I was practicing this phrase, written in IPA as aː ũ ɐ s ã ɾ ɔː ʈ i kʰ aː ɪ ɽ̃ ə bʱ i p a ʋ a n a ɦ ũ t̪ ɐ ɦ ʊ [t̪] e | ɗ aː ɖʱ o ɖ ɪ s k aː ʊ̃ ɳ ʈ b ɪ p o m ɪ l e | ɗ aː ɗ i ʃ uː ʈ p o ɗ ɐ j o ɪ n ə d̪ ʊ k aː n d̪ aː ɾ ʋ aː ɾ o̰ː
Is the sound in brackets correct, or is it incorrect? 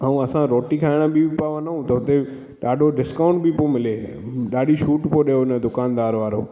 correct